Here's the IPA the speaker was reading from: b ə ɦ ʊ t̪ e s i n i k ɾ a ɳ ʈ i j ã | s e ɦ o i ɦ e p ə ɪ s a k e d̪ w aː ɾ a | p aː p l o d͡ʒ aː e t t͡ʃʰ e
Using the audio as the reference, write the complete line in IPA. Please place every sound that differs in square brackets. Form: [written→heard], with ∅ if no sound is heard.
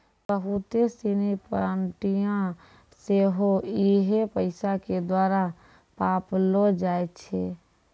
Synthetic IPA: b ə ɦ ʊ t̪ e s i n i [k→p] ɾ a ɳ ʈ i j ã | s e ɦ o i ɦ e p ə ɪ s a k e d̪ w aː ɾ a | p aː p l o d͡ʒ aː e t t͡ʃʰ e

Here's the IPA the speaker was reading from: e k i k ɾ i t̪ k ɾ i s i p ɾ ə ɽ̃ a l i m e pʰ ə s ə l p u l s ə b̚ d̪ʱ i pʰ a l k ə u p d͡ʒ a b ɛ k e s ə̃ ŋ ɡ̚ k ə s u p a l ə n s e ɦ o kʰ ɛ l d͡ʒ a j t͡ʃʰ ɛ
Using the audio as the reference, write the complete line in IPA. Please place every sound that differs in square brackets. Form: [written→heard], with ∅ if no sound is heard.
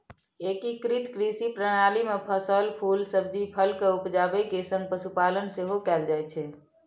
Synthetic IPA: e k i k ɾ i t̪ k ɾ i s i p ɾ ə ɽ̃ a l i m e pʰ ə s ə l [p→pʰ] u l s ə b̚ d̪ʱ i pʰ [a→ə] l k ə u p d͡ʒ a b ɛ k e s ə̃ ŋ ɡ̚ [k→p] ə s u p a l ə n s e ɦ o [kʰ→k] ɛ l d͡ʒ a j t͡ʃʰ ɛ

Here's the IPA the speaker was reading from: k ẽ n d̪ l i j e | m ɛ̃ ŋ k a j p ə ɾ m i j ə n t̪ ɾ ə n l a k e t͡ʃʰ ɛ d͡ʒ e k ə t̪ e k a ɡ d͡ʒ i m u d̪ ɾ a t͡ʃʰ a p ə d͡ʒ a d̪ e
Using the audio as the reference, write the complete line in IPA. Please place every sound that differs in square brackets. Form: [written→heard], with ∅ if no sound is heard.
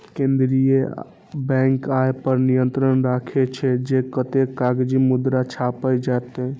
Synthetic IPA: k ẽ n d̪ [l→ɾ] i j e | [m→b] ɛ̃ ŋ k a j p ə ɾ [m→n] i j ə n t̪ ɾ ə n [l→ɾ] a [k→kʰ] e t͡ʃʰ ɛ d͡ʒ e k ə t̪ e k a ɡ d͡ʒ i m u d̪ ɾ a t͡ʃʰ a p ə d͡ʒ a [d̪→t̪] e

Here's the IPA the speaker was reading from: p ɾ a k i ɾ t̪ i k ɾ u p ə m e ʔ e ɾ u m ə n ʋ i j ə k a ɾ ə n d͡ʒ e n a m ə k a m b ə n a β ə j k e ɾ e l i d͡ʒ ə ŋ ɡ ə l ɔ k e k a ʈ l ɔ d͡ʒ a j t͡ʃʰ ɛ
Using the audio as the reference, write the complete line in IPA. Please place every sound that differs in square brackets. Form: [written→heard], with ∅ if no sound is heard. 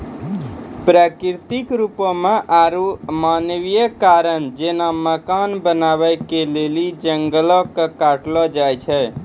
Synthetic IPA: p ɾ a k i ɾ t̪ i k ɾ u p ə m e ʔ [e→a] ɾ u m [ə→a] n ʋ i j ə k a ɾ ə n d͡ʒ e n a m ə k a [m→n] b ə n a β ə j k e [ɾ→l] e l i d͡ʒ ə ŋ ɡ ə l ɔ k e k a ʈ l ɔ d͡ʒ a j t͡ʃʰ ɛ

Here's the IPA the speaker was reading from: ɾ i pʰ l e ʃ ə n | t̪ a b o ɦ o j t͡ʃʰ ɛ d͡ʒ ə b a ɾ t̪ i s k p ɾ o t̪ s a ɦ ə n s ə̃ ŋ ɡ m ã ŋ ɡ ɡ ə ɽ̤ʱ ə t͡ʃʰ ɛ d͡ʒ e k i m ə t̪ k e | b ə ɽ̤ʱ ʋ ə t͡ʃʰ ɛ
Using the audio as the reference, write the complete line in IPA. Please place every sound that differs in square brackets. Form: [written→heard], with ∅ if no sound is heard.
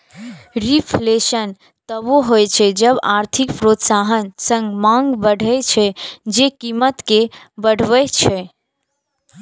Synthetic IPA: ɾ i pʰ l e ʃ ə n | t̪ [a→ə] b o ɦ o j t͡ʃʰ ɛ d͡ʒ ə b a ɾ [t̪→t̪ʰ] i [s→∅] k p ɾ o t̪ s a ɦ ə n s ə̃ ŋ ɡ m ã ŋ ɡ [ɡ→b] ə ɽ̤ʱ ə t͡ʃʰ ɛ d͡ʒ e k i m ə t̪ k e | b ə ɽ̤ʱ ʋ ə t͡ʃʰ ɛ

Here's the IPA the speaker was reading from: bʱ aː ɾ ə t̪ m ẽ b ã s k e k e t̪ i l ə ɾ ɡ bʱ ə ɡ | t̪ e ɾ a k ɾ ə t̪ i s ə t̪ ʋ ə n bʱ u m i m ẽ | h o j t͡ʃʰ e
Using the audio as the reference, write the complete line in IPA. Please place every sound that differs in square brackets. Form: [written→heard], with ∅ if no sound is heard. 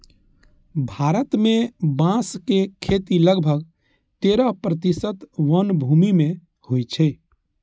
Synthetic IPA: bʱ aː ɾ ə t̪ m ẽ b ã s k e [k→kʰ] e t̪ i l ə [ɾ→∅] ɡ bʱ ə ɡ | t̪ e ɾ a [k→p] ɾ ə t̪ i s ə t̪ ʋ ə n bʱ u m i m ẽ | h o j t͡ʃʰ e

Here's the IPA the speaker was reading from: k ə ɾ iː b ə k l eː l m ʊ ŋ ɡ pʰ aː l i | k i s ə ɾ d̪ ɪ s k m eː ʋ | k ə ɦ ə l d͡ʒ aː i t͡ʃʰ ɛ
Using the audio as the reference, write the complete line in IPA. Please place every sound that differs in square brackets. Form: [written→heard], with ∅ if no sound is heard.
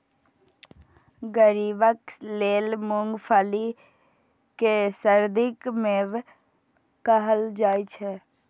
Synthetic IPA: [k→ɡ] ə ɾ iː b ə k l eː l m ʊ ŋ ɡ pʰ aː l i | k [i→e] s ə ɾ d̪ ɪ [s→∅] k m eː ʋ | k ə ɦ ə l d͡ʒ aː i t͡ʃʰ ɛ

